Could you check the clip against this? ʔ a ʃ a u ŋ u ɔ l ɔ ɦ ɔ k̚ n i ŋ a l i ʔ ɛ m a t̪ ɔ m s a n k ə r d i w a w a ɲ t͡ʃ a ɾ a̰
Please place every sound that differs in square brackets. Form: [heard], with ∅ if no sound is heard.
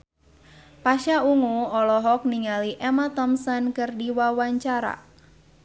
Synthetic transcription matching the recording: [p] a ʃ a u ŋ u ɔ l ɔ ɦ ɔ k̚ n i ŋ a l i ʔ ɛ m a t̪ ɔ m s a n k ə r d i w a w a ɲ t͡ʃ a ɾ a̰